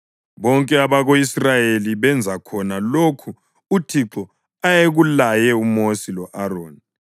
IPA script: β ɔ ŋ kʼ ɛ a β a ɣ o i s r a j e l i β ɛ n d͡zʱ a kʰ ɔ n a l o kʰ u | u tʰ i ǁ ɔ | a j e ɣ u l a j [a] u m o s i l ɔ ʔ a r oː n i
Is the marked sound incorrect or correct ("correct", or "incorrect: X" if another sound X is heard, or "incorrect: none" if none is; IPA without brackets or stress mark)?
incorrect: ɛ